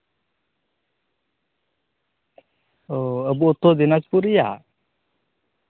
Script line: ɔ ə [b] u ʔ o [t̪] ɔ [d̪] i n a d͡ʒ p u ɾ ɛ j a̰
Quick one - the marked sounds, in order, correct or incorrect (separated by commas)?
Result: correct, correct, correct